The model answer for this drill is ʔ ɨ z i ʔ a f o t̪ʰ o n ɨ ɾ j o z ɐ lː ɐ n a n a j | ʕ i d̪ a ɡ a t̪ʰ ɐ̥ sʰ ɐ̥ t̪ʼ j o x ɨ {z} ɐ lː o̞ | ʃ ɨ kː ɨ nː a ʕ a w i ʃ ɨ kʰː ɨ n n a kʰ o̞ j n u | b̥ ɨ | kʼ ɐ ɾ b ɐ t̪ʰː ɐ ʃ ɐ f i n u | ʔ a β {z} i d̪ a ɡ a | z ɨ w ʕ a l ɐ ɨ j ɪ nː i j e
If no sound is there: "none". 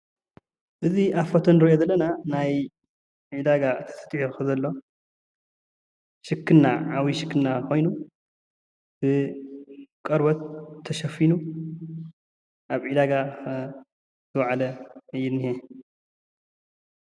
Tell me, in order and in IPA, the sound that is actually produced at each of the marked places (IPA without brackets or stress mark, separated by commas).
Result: z, ʕ